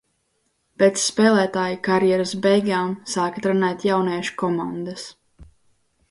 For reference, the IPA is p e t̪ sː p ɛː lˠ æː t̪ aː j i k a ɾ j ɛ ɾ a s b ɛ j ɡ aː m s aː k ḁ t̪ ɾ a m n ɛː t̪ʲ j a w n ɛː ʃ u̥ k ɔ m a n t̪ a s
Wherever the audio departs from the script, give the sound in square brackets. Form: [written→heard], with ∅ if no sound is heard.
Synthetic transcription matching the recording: p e t̪ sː p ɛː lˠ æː t̪ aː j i k a ɾ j ɛ ɾ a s b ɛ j ɡ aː m s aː k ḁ t̪ ɾ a [m→∅] n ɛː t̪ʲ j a w n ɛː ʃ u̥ k ɔ m a n [t̪→d̪] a s